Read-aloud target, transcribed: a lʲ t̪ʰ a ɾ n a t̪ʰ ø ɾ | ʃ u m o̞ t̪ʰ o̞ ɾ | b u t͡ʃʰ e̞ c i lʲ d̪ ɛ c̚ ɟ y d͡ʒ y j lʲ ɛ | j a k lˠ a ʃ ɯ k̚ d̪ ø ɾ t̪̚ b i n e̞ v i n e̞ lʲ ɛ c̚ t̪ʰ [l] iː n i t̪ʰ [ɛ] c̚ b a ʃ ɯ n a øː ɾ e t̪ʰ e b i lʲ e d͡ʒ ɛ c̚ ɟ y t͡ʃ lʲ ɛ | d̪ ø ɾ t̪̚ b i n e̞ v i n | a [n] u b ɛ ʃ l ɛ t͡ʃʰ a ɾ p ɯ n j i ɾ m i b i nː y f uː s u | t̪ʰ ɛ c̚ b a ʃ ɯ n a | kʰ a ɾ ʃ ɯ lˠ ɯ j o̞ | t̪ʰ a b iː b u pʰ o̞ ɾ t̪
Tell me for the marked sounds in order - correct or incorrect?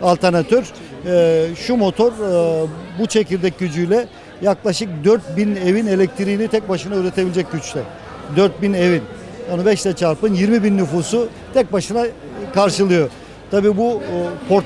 incorrect, correct, correct

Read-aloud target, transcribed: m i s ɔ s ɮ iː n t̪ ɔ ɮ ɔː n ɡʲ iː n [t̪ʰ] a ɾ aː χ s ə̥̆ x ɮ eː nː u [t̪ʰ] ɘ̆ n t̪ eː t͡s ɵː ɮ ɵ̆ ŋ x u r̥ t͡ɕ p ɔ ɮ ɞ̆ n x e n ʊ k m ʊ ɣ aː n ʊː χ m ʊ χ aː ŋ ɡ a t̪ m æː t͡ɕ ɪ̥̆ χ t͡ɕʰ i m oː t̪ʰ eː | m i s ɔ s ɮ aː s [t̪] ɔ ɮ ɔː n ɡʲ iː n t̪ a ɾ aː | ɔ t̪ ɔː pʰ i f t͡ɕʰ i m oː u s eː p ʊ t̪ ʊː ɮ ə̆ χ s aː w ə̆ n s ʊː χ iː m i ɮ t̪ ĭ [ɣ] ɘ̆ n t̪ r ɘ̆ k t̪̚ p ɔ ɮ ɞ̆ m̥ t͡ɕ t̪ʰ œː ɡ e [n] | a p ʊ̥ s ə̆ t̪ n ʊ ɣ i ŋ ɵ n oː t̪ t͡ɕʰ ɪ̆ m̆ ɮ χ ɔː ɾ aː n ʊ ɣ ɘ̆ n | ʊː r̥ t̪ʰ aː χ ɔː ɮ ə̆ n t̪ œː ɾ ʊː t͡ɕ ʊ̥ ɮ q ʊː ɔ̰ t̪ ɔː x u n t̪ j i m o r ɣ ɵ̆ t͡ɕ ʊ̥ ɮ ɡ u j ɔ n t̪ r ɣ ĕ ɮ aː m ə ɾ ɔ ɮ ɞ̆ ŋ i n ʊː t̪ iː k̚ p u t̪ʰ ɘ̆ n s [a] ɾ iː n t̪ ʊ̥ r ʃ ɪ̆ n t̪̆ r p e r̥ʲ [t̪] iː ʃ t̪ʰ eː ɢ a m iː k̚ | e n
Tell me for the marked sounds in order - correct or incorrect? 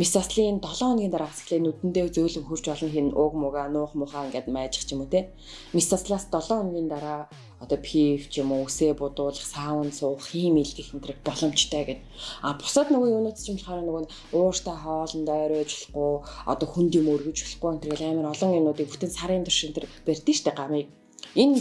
incorrect, incorrect, correct, incorrect, correct, correct, correct

